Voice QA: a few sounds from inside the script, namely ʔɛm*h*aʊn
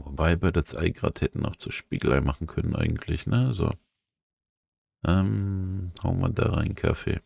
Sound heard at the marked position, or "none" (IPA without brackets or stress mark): h